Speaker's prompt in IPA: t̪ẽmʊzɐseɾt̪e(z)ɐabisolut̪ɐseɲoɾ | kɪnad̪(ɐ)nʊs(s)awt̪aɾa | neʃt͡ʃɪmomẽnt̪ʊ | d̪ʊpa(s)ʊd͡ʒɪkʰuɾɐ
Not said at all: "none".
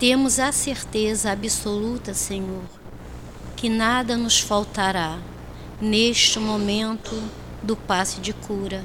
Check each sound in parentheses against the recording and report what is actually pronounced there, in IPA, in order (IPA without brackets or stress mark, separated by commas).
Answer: z, ɐ, f, s